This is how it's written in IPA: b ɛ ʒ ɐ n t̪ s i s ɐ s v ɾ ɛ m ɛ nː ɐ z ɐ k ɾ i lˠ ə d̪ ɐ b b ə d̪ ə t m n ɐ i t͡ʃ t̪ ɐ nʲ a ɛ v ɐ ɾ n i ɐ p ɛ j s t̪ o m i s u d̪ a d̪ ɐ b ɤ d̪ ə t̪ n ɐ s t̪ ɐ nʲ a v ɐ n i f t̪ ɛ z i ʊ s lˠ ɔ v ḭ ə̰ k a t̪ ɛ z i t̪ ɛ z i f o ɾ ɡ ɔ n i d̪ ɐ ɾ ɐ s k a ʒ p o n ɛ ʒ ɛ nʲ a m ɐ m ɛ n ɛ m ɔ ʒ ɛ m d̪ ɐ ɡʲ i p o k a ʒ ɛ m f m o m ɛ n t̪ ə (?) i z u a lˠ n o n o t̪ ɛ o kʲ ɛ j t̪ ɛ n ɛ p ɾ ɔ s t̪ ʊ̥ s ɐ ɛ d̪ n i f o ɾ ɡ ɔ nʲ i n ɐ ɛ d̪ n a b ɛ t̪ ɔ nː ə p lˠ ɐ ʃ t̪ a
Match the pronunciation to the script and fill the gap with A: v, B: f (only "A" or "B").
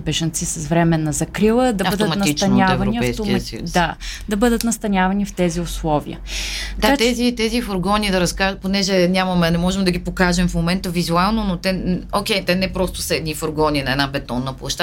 A